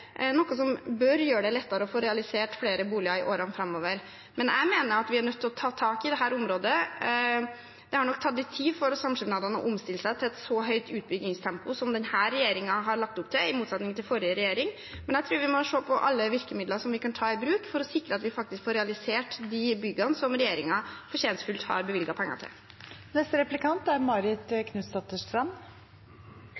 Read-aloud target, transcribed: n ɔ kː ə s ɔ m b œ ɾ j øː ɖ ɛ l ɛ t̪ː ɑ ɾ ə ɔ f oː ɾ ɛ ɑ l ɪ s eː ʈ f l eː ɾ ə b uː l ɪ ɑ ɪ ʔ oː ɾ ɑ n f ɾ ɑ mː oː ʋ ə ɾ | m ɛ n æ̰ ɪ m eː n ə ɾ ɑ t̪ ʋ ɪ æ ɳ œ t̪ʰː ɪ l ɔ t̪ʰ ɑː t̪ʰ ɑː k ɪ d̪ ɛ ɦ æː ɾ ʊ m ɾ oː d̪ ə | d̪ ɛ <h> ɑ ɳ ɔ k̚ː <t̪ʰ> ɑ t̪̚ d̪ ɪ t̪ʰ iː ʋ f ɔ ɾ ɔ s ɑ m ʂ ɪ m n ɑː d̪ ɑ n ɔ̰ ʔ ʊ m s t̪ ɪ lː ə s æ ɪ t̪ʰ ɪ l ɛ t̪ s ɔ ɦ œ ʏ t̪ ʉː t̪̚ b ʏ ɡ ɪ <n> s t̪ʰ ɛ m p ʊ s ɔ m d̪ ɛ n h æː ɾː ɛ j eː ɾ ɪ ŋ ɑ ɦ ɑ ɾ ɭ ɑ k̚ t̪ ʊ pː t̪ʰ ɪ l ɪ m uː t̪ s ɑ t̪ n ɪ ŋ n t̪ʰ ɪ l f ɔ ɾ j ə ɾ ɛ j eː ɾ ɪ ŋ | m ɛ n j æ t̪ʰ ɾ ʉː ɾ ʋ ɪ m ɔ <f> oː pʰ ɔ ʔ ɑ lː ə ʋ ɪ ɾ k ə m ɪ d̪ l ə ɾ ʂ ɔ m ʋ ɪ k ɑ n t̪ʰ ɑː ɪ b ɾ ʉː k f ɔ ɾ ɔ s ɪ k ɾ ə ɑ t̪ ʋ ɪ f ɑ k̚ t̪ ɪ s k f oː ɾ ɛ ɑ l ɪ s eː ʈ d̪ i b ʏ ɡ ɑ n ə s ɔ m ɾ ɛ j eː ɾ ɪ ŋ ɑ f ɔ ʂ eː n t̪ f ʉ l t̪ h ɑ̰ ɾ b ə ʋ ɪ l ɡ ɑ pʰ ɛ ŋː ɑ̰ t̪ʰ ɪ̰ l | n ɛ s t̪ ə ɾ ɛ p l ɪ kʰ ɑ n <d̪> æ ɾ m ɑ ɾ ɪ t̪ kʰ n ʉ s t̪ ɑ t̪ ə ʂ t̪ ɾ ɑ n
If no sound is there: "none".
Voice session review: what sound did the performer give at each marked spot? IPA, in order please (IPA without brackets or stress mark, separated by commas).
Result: h, t̪ʰ, ŋ, ʂ, t̪